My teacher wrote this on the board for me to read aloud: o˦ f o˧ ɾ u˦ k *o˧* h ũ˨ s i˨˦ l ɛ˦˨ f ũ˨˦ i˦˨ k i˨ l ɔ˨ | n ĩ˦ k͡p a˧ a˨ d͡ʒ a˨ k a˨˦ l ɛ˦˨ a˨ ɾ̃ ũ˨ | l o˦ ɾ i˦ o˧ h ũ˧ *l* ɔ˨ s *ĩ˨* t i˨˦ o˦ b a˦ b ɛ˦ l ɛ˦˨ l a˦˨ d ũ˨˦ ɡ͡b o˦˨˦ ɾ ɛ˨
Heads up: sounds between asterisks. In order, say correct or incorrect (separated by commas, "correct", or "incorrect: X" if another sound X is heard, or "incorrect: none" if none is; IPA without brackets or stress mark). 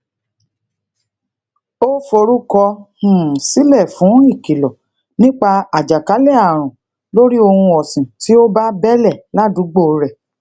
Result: incorrect: ɔ˧, incorrect: none, correct